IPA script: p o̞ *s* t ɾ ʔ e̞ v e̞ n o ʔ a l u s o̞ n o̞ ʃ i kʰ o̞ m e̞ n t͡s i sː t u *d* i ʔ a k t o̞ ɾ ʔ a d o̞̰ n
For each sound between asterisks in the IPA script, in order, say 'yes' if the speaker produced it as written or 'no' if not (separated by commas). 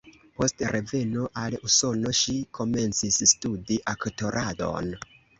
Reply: yes, yes